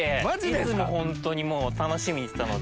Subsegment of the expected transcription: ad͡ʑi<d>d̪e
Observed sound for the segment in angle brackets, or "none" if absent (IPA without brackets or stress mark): d